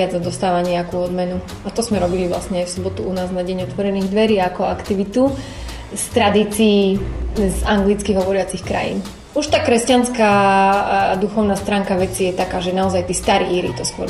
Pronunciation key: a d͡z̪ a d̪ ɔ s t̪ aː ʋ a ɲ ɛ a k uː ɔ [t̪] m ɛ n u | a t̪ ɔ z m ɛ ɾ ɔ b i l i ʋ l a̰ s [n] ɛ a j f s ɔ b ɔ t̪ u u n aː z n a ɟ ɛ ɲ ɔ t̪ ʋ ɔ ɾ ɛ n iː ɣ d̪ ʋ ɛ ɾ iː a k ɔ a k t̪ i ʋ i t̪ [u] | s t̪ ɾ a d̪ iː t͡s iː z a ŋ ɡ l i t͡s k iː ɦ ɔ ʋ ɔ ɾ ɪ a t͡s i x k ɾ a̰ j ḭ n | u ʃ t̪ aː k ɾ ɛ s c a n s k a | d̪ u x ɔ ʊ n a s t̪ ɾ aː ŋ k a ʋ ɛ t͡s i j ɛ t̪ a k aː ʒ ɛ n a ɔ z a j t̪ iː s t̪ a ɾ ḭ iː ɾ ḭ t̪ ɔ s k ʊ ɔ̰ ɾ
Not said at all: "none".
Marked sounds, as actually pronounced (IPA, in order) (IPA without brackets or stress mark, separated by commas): d̪, ɲ, u